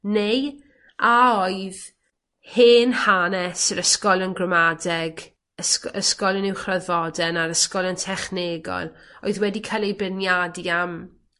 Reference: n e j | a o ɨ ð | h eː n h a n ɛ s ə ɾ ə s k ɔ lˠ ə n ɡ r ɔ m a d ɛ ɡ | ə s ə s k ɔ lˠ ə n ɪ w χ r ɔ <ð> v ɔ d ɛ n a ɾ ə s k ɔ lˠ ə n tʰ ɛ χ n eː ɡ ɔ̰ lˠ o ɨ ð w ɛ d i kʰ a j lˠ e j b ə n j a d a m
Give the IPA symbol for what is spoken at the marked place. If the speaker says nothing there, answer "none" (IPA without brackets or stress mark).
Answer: ð